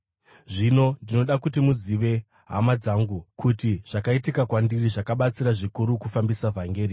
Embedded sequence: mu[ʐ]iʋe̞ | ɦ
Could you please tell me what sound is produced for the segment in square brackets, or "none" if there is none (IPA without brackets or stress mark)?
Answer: z